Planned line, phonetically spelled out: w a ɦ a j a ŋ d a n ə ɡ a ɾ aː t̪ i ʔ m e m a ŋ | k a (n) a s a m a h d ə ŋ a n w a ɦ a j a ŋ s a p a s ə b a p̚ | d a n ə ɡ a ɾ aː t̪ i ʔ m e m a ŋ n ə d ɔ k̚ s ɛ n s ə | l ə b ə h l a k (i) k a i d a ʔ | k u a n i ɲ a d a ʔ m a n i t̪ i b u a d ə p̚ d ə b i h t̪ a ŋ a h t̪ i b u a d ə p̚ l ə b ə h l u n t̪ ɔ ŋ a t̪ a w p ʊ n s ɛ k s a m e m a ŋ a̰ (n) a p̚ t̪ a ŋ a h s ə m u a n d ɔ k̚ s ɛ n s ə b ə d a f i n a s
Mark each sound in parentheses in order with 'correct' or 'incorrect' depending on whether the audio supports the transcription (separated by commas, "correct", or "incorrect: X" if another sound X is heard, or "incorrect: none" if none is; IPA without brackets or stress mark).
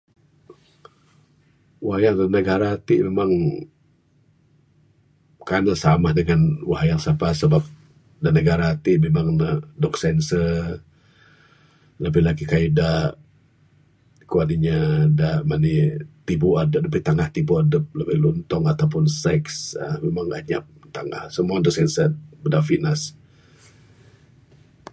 correct, correct, incorrect: ɲ